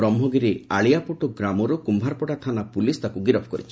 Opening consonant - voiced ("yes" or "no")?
yes